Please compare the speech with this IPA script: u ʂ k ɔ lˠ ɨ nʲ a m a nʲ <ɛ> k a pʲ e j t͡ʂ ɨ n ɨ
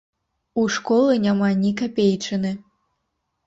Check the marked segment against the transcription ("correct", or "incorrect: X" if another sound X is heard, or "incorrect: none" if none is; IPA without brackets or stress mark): incorrect: i